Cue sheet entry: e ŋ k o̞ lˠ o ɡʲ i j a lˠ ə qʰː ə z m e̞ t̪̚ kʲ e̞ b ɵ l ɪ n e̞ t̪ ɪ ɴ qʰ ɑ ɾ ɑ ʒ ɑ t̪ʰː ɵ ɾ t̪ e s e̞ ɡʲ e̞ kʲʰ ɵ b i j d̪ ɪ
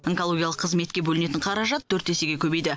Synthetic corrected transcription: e ŋ k o̞ lˠ o ɡʲ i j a lˠ ə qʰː ə z m e̞ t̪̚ kʲ e̞ b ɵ l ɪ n e̞ t̪ ɪ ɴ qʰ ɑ ɾ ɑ ʒ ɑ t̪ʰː ɵ ɾ t̪ e s e̞ ɡʲ e̞ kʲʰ ɵ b e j d̪ ɪ